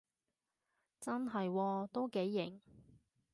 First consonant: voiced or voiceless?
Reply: voiceless